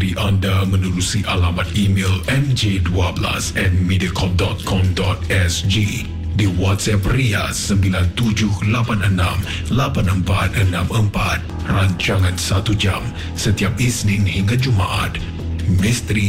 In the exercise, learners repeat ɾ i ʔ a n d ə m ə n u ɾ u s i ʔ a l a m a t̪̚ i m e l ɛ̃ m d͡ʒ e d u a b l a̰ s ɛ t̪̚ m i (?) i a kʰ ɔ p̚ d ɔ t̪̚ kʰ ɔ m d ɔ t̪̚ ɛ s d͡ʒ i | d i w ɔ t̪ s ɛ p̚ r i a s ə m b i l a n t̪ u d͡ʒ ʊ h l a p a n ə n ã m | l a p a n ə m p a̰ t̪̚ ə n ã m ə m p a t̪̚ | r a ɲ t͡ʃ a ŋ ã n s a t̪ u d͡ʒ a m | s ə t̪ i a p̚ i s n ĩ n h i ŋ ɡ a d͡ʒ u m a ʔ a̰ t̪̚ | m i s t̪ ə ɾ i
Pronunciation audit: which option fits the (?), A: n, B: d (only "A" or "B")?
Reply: B